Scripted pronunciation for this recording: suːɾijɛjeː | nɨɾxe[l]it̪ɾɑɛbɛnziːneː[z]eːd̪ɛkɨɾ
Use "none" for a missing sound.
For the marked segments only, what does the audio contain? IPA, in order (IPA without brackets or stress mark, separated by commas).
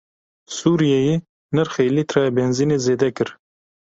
l, z